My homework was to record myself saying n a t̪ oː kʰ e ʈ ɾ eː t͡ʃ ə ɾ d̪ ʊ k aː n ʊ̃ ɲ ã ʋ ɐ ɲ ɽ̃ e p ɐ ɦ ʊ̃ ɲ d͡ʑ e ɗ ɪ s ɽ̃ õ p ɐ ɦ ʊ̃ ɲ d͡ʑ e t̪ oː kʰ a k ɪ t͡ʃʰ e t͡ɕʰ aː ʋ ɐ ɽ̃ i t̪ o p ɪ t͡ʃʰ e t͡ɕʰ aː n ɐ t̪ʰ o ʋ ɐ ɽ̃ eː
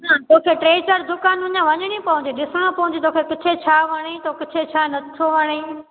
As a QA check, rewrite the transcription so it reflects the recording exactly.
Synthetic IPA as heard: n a t̪ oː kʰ e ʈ ɾ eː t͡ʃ ə ɾ d̪ ʊ k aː n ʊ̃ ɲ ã ʋ ɐ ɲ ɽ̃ i p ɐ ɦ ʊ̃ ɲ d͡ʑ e ɗ ɪ s ɽ̃ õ p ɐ ɦ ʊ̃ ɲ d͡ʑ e t̪ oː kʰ e k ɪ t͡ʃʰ e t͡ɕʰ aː ʋ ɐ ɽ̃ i t̪ o k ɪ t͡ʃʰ e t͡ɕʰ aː n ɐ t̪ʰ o ʋ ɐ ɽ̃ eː